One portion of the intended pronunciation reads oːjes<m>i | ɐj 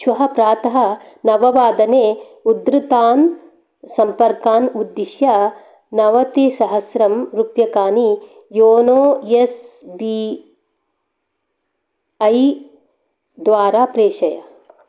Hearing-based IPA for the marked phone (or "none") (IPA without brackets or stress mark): b